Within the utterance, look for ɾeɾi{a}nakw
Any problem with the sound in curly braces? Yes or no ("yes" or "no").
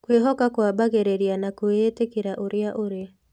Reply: no